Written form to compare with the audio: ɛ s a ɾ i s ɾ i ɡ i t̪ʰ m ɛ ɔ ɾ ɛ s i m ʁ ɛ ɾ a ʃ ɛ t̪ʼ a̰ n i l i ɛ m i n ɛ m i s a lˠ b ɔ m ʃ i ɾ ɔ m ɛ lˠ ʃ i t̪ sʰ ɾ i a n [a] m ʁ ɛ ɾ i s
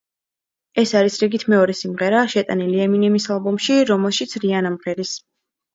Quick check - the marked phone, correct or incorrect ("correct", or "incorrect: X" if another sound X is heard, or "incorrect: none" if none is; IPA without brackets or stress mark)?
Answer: correct